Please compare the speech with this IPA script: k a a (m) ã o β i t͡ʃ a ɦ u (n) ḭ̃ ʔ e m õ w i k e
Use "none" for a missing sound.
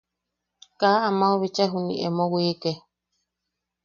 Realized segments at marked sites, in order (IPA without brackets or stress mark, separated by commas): m, n